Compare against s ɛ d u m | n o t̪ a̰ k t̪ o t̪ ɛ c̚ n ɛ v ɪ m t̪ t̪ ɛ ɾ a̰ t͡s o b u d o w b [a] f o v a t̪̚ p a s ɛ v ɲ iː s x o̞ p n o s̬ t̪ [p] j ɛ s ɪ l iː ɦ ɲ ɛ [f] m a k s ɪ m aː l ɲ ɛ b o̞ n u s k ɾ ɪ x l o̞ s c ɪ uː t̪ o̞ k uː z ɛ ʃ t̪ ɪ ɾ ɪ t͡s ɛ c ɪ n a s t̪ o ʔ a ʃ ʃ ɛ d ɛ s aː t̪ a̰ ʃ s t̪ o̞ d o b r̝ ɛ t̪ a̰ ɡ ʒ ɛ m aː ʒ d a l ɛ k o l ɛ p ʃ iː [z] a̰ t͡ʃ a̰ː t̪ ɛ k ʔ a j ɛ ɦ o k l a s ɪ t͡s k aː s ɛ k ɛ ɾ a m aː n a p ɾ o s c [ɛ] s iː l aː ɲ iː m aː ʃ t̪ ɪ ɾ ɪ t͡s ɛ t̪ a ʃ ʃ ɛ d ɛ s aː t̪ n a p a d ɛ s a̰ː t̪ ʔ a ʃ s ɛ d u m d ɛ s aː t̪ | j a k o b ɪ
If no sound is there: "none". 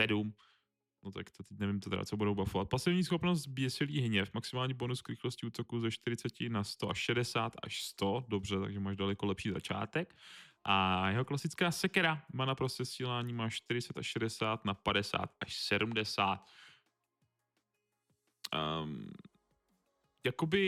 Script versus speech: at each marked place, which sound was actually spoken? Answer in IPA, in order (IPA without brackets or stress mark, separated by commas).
a, b, f, z, ɛ